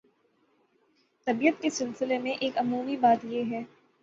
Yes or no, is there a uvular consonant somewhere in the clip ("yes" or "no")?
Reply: no